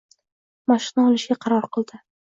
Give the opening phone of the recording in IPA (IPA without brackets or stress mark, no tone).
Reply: m